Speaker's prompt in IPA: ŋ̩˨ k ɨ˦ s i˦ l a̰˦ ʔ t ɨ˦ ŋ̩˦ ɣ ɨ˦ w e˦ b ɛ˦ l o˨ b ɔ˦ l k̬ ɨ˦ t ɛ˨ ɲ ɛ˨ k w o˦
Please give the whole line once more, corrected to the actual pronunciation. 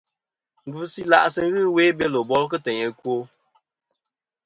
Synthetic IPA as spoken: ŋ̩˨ ɡ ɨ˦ s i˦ l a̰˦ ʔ s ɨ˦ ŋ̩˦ ɣ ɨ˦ w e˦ b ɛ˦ l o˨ b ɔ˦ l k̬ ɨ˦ t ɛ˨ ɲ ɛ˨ k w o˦